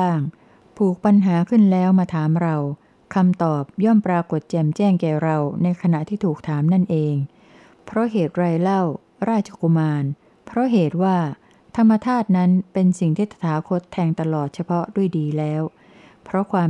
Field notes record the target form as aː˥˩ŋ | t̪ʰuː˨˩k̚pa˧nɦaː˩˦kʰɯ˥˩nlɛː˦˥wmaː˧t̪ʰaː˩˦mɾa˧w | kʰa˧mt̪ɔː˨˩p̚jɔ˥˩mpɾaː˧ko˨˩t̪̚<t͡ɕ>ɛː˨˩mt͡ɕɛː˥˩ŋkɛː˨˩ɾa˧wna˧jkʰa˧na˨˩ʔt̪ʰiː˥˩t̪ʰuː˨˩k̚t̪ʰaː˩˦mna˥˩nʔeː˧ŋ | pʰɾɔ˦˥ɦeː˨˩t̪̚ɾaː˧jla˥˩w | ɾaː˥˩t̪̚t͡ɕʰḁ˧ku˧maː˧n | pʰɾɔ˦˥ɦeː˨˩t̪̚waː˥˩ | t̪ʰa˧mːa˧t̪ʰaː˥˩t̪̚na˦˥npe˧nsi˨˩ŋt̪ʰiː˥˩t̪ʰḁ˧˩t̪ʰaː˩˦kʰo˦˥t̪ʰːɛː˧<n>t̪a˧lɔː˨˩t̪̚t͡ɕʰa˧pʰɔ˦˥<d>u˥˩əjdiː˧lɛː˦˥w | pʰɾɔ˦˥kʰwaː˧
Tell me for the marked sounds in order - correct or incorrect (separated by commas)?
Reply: correct, incorrect, correct